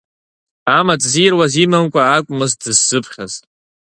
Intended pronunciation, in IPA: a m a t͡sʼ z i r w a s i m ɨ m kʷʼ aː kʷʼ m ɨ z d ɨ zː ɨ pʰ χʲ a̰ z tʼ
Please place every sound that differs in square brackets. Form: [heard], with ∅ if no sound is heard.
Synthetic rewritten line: a m a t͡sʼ z i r w a [z] i m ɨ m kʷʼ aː kʷʼ m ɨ z d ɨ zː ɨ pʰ χʲ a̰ z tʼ

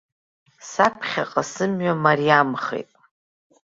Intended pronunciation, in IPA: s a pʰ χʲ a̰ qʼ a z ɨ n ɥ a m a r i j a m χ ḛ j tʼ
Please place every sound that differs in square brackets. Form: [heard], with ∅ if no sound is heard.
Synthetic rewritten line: s a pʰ χʲ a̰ qʼ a [s] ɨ [m] ɥ a m a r i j a m χ ḛ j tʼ

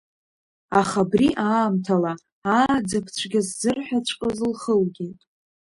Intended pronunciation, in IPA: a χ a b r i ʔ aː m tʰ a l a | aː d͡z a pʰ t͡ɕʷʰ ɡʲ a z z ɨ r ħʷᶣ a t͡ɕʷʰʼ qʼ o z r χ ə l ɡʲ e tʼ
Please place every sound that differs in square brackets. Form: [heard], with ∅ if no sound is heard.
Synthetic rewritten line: a χ a b r i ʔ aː m tʰ a l a | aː d͡z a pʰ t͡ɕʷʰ ɡʲ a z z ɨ r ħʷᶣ a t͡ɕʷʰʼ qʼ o z [l] χ ə l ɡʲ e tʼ

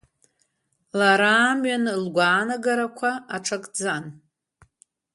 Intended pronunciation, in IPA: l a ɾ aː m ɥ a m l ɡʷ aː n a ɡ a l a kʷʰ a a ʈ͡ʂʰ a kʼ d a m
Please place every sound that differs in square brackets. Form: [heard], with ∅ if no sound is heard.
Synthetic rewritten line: l a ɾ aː m ɥ a [n] l ɡʷ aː n a ɡ a [ɾ] a kʷʰ a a ʈ͡ʂʰ a kʼ [d͡z] a [n]

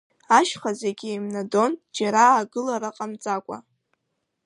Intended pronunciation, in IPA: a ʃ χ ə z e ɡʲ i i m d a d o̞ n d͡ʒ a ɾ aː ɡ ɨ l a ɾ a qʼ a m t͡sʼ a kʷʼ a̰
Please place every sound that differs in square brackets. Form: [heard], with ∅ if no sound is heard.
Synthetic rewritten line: a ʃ χ [a] z e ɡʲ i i m [n] a d o̞ n d͡ʒ a ɾ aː ɡ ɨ l a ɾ a qʼ a m t͡sʼ a kʷʼ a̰

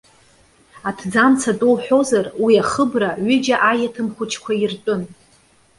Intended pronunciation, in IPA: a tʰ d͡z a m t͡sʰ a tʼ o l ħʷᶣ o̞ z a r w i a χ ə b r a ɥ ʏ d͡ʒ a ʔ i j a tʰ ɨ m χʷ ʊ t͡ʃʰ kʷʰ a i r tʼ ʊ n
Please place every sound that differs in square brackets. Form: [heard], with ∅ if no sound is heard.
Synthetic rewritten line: a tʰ d͡z a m t͡sʰ a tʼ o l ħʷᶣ o̞ z a r w i a χ ə b r a ɥ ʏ d͡ʒ a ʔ [a] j a tʰ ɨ m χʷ ʊ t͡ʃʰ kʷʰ a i r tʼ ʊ n

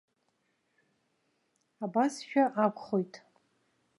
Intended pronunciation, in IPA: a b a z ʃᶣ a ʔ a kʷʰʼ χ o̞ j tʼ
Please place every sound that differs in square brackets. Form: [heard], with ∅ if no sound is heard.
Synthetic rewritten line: a b a [s] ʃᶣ a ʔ a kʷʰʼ χ o̞ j tʼ

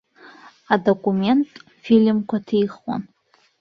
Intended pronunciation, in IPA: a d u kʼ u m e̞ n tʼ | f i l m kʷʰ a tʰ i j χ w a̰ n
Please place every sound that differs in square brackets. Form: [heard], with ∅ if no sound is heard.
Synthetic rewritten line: a d [o] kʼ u m e̞ n tʼ | f i l m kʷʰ a tʰ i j χ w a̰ n

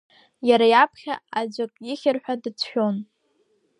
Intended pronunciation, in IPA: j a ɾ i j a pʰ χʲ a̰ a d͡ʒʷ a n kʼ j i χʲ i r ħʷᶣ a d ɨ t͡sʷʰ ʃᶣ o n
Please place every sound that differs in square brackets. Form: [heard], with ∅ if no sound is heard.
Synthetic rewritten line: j a ɾ [a] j a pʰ χʲ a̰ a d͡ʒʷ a [∅] kʼ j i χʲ [ɪ] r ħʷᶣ a d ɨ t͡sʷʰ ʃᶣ o n

